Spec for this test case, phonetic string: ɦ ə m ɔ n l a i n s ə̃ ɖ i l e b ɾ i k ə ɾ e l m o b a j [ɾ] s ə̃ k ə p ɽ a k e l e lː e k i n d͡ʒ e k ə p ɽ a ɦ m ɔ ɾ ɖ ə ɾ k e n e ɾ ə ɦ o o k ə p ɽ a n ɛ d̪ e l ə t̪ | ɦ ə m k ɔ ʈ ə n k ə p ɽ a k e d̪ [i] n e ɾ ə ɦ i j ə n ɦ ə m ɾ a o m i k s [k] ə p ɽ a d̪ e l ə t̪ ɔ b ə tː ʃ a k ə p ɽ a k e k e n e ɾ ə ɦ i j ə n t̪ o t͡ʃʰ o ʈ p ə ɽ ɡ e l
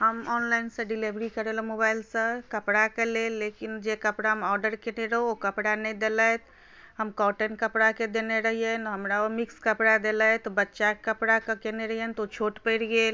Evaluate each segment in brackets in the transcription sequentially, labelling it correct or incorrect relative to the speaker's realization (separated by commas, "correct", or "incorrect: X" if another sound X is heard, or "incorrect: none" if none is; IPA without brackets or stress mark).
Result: incorrect: l, incorrect: e, correct